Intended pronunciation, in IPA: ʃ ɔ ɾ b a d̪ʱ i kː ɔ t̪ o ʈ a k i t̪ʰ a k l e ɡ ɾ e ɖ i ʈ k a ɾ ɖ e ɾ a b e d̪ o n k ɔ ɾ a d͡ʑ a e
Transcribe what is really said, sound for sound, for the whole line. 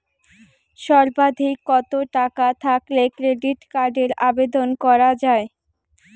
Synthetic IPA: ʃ ɔ ɾ b a d̪ʱ i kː ɔ t̪ o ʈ a k a t̪ʰ a k l e k ɾ e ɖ i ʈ k a ɾ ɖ e ɾ a b e d̪ o n k ɔ ɾ a d͡ʑ a e